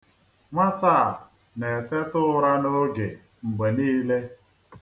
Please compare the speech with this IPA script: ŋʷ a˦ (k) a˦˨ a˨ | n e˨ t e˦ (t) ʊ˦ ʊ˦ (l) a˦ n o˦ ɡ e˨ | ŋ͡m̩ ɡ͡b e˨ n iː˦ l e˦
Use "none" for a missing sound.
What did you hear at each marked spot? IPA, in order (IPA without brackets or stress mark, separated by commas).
t, t, ɾ